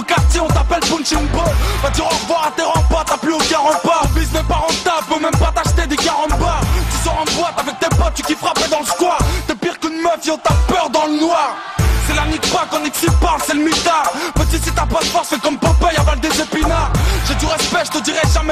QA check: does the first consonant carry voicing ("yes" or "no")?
no